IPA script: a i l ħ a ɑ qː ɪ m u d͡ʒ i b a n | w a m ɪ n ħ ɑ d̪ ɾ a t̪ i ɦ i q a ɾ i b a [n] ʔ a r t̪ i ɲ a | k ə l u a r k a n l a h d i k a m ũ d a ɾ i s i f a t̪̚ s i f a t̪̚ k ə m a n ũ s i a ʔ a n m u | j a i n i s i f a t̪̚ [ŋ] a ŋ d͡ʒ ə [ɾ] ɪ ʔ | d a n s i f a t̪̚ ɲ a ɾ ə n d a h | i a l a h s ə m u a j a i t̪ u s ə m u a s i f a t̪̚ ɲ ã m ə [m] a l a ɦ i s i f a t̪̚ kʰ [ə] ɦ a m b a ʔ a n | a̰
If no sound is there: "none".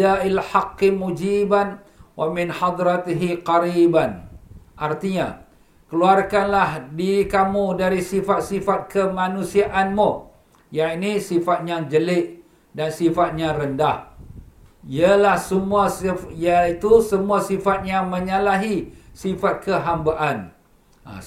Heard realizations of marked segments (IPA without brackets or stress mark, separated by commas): n, ɲ, l, ɲ, ə